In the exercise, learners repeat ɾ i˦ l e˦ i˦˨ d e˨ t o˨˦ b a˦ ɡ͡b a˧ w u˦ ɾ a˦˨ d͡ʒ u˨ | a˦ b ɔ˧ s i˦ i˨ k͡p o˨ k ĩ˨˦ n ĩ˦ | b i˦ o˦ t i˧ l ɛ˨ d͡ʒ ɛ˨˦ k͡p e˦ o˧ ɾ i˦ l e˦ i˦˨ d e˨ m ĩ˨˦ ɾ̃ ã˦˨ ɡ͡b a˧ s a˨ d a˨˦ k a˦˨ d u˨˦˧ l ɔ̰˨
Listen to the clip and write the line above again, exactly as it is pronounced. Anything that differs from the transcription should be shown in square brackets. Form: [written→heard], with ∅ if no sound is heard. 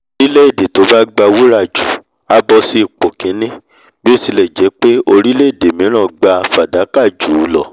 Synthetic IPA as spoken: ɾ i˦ l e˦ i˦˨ d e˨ t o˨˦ b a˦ ɡ͡b a˧ w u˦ ɾ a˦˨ d͡ʒ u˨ | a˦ b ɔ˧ s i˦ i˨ k͡p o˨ k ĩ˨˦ n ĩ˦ | b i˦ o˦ t i˧ l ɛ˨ d͡ʒ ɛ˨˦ k͡p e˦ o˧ ɾ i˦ l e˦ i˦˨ d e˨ m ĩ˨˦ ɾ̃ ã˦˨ ɡ͡b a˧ [s→f] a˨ d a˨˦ k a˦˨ [d→d͡ʒ] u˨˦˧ l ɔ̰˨